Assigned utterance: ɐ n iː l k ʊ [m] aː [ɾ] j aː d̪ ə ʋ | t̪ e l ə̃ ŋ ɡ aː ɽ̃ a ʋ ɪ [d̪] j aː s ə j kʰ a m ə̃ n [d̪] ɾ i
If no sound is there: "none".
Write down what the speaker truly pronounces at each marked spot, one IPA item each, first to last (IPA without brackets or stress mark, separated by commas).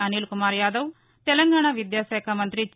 m, ɾ, d̪, t̪